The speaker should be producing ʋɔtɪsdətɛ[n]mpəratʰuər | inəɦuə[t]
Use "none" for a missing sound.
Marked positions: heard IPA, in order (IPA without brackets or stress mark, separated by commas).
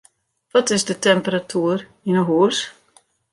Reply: none, s